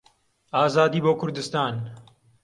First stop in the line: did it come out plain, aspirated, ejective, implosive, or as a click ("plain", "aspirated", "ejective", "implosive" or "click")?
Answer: plain